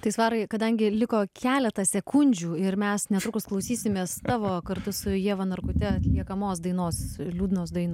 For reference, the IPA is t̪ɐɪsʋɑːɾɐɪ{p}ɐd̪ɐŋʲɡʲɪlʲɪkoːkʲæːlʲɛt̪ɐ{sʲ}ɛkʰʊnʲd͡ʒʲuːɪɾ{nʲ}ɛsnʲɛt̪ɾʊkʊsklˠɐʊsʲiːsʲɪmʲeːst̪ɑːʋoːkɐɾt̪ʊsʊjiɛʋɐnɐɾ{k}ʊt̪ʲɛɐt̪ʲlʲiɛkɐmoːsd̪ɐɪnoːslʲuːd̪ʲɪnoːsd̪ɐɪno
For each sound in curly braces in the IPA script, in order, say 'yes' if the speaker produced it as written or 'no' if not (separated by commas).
no, yes, no, yes